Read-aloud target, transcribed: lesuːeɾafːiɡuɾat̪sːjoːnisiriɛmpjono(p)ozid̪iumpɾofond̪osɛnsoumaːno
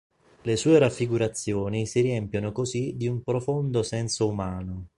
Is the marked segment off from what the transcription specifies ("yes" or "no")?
yes